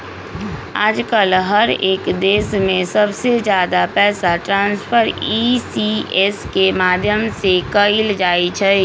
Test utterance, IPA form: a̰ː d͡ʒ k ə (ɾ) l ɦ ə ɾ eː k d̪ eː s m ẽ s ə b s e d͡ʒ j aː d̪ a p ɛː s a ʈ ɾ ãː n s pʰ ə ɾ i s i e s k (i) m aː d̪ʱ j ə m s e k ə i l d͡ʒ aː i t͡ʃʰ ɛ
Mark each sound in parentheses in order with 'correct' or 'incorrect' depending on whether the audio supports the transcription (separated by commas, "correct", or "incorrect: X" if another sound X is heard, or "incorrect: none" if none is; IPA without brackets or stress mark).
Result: incorrect: none, incorrect: e